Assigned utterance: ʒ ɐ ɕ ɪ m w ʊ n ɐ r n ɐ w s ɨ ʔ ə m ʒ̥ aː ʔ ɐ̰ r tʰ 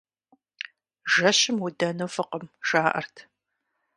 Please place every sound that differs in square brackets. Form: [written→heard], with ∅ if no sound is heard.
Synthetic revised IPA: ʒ ɐ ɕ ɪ m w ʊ [n→d] ɐ [r→∅] n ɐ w [s→f] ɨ [ʔ→q] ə m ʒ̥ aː ʔ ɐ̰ r tʰ